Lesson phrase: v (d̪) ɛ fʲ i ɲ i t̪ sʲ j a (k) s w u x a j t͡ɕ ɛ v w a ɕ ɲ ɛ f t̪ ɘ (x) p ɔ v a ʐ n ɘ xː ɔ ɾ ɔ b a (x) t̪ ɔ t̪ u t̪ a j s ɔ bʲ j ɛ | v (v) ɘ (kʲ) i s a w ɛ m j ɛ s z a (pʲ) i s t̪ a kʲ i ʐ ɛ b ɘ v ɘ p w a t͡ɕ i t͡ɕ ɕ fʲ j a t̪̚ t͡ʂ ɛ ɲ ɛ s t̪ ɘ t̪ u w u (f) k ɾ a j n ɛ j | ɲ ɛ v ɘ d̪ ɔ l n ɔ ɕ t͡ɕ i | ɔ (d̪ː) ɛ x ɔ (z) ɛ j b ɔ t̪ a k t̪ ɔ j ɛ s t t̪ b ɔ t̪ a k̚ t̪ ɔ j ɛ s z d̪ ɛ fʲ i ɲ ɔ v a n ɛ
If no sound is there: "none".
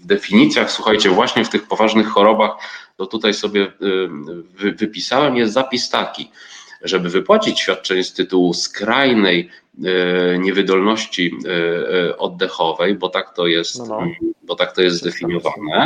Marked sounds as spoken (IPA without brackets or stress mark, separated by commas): d̪, x, x, x, v, pʲ, pʲ, s, d̪ː, v